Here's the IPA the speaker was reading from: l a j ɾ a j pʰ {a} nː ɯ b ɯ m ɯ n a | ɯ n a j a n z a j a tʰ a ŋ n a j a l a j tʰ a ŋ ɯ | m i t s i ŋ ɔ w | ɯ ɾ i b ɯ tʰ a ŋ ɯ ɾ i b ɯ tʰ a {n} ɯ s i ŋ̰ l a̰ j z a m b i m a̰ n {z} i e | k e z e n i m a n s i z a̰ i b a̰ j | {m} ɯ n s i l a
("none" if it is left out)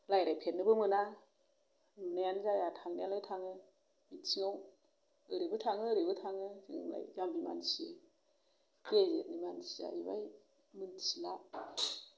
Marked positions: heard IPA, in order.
e, ŋ, s, m

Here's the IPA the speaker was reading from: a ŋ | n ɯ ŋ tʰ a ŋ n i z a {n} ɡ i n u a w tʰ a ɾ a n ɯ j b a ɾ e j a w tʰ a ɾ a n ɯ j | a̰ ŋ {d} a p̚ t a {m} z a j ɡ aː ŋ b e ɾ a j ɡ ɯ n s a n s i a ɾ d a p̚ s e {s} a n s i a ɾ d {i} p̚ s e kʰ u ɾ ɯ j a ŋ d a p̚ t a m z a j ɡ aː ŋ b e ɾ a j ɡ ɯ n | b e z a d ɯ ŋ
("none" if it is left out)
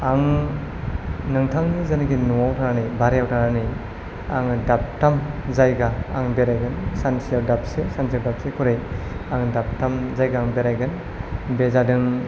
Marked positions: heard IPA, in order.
n, d, m, s, a

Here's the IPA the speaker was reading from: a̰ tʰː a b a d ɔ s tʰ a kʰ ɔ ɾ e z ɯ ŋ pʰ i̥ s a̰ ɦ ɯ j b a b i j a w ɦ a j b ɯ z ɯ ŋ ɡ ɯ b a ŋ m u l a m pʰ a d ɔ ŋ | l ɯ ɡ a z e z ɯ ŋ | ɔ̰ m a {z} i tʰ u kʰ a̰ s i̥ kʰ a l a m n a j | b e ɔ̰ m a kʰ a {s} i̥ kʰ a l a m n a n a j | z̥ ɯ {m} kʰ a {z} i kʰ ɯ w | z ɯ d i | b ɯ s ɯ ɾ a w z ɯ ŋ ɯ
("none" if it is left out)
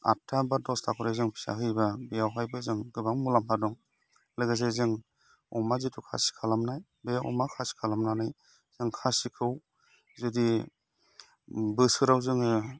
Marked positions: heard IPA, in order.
z, s, ŋ, s

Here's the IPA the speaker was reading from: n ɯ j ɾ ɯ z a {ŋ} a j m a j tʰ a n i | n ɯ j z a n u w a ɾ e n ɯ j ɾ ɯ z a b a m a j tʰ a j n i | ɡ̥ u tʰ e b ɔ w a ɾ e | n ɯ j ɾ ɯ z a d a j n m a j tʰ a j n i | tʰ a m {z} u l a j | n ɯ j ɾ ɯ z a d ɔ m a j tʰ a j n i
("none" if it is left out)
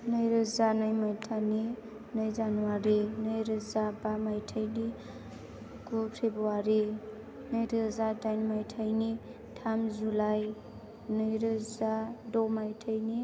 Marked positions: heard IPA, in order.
n, z

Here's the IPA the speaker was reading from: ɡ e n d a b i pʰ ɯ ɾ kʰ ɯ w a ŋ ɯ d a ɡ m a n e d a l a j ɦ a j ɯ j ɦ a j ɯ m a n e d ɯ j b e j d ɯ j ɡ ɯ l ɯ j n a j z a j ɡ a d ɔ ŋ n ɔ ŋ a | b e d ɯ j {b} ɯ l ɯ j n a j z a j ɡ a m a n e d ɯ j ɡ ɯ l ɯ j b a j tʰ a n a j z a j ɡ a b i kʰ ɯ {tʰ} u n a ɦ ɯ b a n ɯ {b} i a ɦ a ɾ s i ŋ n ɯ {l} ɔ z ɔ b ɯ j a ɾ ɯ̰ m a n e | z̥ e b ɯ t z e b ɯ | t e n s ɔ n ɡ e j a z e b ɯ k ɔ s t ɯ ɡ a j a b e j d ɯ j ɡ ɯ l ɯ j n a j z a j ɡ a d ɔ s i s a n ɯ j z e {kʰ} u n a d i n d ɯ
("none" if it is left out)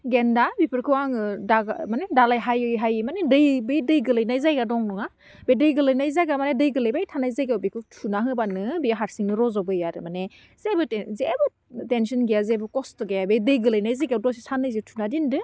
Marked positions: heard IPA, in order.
ɡ, tʰ, b, ɾ, tʰ

